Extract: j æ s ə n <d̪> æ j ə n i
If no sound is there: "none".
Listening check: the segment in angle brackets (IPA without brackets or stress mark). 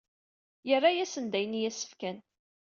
d̪